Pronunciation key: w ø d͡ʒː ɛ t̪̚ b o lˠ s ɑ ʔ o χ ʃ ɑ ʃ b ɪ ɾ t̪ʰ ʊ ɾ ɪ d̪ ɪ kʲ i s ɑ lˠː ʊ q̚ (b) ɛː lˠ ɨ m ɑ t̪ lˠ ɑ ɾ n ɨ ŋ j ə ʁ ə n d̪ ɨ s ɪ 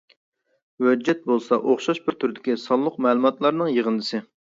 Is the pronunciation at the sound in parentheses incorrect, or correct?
incorrect